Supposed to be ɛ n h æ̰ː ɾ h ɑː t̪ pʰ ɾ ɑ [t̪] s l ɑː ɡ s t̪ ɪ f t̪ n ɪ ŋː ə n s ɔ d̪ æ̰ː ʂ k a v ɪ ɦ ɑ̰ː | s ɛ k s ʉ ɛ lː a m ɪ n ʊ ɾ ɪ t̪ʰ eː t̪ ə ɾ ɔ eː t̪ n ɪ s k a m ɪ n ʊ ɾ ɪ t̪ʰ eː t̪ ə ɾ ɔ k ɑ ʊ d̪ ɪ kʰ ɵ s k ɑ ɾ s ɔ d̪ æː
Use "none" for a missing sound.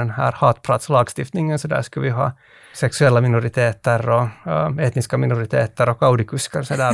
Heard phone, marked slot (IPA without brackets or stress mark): t̪